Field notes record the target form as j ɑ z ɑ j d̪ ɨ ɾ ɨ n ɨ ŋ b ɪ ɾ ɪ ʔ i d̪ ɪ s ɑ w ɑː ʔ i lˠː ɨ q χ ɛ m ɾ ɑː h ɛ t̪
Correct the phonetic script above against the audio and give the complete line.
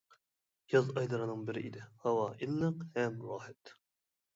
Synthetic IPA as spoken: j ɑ z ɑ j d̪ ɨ ɾ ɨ n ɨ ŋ b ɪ ɾ ɪ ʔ i d̪ ɪ h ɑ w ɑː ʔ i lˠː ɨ q h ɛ m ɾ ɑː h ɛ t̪